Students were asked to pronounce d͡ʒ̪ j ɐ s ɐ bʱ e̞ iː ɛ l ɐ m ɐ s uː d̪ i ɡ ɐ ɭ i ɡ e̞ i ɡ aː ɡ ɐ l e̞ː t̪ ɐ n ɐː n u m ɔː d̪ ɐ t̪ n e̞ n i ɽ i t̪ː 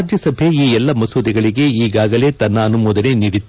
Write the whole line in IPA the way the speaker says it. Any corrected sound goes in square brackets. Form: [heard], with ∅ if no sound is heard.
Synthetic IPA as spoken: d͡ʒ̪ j ɐ s ɐ bʱ e̞ iː ɛ [lː] ɐ m ɐ s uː d̪ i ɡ ɐ ɭ i ɡ e̞ [iː] ɡ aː ɡ ɐ l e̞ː t̪ ɐ [nː] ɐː n u m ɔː d̪ ɐ [∅] n e̞ n i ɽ i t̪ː